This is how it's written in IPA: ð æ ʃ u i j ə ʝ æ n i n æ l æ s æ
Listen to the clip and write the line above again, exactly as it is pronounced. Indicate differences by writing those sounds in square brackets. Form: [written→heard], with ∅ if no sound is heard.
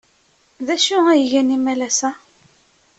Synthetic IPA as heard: ð æ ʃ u [i→æ] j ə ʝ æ n i [n→m] æ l æ s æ